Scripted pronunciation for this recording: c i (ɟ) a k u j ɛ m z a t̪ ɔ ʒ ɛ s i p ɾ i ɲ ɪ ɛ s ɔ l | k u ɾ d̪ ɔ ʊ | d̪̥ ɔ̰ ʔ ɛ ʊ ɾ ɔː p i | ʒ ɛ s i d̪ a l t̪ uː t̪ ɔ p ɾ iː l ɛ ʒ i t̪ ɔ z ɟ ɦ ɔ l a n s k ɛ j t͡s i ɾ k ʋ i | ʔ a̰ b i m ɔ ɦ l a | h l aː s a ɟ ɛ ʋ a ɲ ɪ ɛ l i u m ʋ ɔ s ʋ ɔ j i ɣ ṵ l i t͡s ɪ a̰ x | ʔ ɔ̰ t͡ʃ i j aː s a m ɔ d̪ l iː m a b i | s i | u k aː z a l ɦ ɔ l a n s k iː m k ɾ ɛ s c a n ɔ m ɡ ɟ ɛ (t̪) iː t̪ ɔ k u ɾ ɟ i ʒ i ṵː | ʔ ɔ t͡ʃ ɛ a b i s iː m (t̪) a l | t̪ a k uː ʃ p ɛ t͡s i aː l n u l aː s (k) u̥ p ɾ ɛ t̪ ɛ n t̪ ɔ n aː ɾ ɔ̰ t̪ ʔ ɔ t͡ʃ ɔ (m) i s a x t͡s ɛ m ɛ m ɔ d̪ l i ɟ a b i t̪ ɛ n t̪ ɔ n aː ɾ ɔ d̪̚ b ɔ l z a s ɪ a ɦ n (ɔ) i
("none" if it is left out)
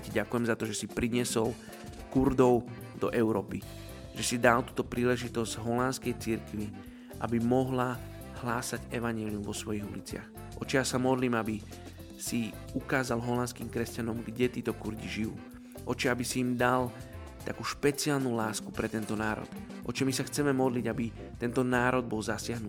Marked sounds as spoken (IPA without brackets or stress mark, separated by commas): ɟ, t̪, d̪, k, m, u